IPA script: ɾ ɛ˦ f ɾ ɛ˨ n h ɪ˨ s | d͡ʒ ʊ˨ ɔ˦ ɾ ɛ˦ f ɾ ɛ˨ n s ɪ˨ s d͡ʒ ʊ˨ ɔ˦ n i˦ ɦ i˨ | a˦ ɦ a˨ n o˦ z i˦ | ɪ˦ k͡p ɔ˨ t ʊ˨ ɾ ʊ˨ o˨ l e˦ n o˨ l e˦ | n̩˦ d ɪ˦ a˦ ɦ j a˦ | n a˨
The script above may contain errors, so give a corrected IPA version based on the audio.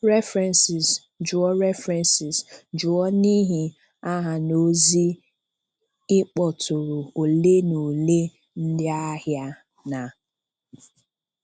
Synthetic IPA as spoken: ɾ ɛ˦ f ɾ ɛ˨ n s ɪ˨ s | d͡ʒ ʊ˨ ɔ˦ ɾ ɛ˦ f ɾ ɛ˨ n s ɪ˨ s d͡ʒ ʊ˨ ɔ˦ n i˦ ɦ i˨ | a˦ ɦ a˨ n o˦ z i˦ | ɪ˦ k͡p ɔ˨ t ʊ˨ ɾ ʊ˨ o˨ l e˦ n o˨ l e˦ | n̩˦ d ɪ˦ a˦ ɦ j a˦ | n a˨